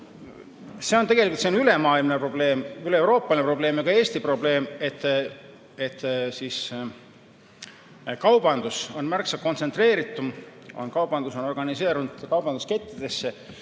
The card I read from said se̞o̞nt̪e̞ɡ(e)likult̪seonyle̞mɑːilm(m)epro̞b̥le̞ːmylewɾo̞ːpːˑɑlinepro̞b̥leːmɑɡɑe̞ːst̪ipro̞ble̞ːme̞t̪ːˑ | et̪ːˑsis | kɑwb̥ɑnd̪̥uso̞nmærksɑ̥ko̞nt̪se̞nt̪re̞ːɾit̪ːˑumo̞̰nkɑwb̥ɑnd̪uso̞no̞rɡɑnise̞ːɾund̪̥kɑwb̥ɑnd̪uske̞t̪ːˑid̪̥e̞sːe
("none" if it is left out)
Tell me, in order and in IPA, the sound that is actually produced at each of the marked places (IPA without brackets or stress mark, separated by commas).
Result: e, n